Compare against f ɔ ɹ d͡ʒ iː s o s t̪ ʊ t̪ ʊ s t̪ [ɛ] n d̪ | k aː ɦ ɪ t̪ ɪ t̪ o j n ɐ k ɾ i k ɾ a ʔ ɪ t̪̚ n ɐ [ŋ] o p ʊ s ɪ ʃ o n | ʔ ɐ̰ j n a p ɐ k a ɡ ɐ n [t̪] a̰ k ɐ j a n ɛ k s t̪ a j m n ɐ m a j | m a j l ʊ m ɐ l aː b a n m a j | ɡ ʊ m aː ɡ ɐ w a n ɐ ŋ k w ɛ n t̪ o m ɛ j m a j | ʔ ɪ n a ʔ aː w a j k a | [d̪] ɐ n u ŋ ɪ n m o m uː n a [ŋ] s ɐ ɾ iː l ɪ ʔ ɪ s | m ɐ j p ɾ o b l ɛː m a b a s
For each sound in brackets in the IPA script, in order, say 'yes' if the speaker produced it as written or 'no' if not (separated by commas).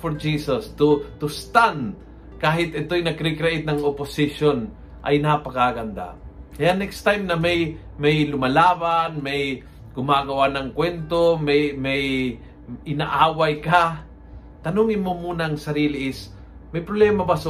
no, yes, no, no, yes